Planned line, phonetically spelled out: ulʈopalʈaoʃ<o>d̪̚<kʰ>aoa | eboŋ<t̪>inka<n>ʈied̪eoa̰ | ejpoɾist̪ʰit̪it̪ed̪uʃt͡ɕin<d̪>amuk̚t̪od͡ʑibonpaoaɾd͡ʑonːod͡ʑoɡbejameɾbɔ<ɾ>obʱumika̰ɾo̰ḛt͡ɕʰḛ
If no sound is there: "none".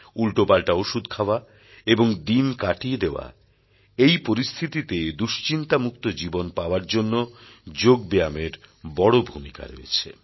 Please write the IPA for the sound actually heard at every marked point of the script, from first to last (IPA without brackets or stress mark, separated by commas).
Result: u, kʰ, d̪, none, t̪, ɽ